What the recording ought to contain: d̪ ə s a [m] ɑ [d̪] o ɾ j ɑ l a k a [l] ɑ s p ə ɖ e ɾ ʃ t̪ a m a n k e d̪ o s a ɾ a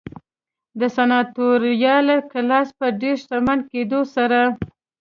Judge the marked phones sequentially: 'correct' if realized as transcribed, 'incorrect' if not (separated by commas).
incorrect, incorrect, correct